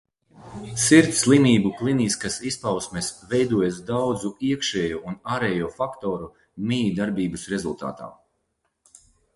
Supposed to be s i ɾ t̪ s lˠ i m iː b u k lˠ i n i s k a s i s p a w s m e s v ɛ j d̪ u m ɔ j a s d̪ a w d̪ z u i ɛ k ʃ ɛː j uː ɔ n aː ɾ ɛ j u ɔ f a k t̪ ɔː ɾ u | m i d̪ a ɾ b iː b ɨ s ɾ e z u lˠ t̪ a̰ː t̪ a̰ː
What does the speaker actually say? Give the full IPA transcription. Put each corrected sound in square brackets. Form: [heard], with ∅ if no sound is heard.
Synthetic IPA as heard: s i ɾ t̪ s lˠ i m iː b u k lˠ i n i s k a s i s p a w s m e s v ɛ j d̪ u [∅] ɔ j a s d̪ a w d̪ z u i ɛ k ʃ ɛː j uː [u] n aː ɾ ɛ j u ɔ f a k t̪ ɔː ɾ u | m i d̪ a ɾ b iː b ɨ s ɾ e z u lˠ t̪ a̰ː t̪ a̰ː